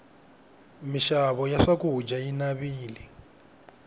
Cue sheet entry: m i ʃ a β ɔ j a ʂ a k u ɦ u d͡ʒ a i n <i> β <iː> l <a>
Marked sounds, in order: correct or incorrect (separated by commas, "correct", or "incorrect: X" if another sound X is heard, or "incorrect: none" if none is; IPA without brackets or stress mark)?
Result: incorrect: a, correct, incorrect: i